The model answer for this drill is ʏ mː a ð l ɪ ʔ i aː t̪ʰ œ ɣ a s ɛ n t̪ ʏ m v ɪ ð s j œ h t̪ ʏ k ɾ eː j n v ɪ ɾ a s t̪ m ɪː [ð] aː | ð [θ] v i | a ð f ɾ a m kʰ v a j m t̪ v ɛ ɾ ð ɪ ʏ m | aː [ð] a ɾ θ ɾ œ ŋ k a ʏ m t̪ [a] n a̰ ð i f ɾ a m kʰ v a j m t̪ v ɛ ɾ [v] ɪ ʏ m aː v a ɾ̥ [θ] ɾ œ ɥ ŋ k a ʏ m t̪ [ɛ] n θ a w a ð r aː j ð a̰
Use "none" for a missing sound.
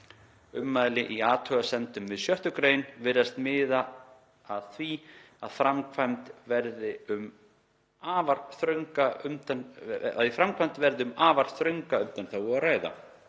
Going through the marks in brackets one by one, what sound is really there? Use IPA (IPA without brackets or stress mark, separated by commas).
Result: ð, θ, v, a, ð, θ, a